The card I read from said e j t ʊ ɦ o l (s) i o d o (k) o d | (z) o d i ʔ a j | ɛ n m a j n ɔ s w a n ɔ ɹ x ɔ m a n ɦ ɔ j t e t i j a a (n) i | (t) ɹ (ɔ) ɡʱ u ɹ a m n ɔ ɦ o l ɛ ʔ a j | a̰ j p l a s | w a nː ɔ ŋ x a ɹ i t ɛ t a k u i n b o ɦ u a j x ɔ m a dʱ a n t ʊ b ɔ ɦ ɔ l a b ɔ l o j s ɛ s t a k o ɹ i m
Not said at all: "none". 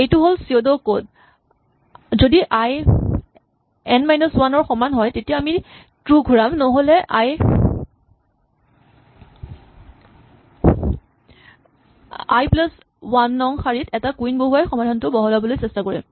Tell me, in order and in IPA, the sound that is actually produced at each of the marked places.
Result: s, k, z, m, t, u

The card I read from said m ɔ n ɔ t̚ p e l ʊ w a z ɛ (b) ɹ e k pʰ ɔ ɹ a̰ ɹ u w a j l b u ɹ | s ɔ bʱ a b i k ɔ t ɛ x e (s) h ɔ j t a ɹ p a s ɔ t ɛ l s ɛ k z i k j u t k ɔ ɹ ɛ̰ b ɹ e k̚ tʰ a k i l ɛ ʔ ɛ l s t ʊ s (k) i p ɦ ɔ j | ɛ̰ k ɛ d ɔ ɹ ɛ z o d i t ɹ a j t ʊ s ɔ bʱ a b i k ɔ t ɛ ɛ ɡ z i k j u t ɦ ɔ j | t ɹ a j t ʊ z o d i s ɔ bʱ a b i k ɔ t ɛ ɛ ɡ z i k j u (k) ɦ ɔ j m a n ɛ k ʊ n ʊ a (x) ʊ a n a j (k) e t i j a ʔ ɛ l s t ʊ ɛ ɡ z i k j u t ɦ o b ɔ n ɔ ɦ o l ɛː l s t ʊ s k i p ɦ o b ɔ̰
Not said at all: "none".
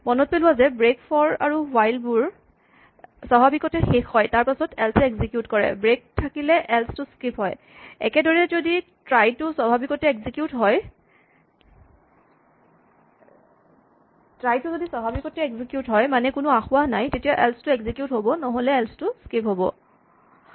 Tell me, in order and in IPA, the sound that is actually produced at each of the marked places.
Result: b, x, k, t, x, t

